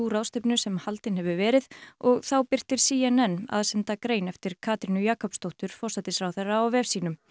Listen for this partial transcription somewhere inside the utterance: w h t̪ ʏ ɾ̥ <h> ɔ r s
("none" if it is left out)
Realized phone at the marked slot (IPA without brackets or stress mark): f